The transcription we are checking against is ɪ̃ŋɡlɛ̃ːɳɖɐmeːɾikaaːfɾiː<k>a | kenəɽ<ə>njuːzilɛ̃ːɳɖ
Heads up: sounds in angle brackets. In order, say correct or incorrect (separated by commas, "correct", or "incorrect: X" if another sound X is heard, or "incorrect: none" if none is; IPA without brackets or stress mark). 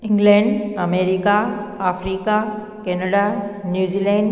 correct, incorrect: a